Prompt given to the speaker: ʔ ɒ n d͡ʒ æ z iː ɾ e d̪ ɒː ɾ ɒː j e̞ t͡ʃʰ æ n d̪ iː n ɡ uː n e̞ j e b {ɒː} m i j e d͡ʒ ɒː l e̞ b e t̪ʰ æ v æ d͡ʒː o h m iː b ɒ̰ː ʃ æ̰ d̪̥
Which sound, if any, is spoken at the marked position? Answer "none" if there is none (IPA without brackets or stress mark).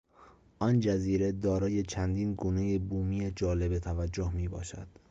uː